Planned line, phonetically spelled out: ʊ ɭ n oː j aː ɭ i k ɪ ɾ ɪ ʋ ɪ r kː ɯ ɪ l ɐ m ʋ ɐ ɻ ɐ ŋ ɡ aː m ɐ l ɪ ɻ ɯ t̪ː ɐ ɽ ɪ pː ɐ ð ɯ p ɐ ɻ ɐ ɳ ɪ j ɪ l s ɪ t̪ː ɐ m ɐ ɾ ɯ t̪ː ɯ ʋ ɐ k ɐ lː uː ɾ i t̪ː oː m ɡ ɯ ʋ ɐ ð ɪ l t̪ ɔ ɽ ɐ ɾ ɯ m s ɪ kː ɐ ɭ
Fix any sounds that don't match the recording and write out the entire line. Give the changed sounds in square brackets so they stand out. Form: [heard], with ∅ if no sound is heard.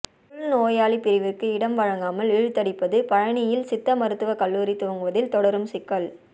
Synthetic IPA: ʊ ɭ n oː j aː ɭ i [p] ɪ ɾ ɪ ʋ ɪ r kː ɯ ɪ [ɽ] ɐ m ʋ ɐ ɻ ɐ ŋ ɡ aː m ɐ l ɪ ɻ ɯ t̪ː ɐ ɽ ɪ pː ɐ ð ɯ p ɐ ɻ ɐ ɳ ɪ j ɪ l s ɪ t̪ː ɐ m ɐ ɾ ɯ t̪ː ɯ ʋ ɐ k ɐ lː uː ɾ i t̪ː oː [ŋ] ɡ ɯ ʋ ɐ ð ɪ l t̪ ɔ ɽ ɐ ɾ ɯ m s ɪ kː ɐ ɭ